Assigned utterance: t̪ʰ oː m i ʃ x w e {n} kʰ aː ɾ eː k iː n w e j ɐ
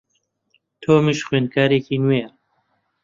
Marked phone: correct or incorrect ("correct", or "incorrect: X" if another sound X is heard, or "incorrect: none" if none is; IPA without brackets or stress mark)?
correct